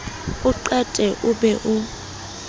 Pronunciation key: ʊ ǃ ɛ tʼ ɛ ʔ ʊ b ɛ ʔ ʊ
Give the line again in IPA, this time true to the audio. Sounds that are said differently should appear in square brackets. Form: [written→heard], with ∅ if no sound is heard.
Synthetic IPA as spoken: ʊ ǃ ɛ tʼ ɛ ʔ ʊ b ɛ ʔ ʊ

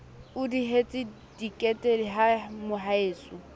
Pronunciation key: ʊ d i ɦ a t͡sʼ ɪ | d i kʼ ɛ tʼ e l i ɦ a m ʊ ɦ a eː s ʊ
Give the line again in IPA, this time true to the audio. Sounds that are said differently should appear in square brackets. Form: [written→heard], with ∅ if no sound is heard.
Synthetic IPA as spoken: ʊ d i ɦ [a→e] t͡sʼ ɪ | d i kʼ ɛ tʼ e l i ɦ a m ʊ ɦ a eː s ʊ

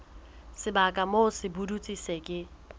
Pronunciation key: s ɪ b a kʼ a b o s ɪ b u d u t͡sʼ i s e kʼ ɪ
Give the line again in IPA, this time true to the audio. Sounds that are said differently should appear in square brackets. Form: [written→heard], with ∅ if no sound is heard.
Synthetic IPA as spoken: s ɪ b a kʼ a [b→m] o s ɪ b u d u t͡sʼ i s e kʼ ɪ

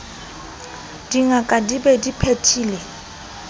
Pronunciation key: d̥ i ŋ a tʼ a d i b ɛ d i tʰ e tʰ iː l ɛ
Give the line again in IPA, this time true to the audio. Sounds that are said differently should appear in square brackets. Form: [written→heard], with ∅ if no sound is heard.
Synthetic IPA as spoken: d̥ i ŋ a [tʼ→kʼ] a d i b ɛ d i [tʰ→pʰ] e tʰ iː l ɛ

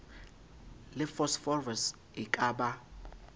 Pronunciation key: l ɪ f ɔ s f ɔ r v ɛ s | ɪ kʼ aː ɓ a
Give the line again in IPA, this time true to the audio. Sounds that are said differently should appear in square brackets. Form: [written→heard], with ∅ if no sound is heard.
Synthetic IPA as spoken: l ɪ f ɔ s f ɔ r v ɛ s | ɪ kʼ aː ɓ a

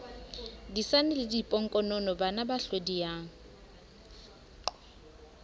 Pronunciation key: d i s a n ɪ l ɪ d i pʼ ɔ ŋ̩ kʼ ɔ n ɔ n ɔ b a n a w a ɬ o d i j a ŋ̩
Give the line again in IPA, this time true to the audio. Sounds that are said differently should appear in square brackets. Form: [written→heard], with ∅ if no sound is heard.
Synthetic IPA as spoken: d i s a n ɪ l ɪ d i pʼ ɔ ŋ̩ kʼ ɔ n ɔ n ɔ b a n a [w→b] a ɬ o d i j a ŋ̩

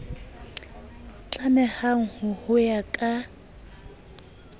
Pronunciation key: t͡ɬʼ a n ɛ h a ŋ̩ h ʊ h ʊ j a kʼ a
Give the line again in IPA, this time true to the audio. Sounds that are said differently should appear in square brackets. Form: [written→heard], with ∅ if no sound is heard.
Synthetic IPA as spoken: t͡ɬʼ a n ɛ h a ŋ̩ h ʊ h ʊ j a kʼ a

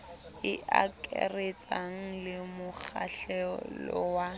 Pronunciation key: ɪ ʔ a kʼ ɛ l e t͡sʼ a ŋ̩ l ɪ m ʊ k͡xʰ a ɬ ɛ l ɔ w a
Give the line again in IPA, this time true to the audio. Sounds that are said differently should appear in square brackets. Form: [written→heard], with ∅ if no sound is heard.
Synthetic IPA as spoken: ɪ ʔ a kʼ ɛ [l→r] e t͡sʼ a ŋ̩ l ɪ m ʊ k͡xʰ a ɬ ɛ l ɔ w a

